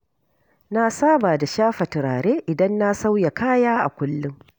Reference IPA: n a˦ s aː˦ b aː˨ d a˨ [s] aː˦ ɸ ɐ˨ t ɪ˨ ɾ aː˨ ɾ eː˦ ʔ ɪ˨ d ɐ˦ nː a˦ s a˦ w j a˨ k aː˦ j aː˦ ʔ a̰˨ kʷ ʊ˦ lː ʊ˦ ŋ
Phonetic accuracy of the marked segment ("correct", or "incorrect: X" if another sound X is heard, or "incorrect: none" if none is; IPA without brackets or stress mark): incorrect: ʃ